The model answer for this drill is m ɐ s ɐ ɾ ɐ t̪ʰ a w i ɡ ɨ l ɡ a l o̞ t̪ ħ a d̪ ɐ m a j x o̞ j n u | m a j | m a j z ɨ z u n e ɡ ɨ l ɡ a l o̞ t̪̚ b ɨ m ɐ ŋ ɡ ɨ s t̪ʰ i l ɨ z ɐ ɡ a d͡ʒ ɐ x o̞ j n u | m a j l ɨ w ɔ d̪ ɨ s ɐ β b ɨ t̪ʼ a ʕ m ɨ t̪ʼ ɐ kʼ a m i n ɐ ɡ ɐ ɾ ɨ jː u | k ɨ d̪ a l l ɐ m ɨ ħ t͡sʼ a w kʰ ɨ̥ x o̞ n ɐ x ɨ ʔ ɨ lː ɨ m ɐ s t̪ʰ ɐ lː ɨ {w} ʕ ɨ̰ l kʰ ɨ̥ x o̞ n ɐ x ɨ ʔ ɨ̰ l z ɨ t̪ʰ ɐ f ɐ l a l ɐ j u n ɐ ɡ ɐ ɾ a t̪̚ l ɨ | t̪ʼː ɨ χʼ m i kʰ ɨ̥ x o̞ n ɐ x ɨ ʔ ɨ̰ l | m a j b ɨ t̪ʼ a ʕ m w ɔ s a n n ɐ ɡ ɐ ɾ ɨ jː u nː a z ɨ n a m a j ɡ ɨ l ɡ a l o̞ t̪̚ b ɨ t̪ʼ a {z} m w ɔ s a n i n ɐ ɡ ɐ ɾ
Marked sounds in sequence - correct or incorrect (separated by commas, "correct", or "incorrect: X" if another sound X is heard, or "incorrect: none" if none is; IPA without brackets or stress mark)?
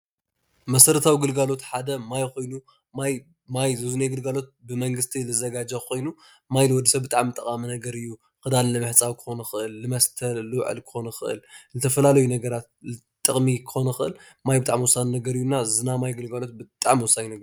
correct, incorrect: ʕ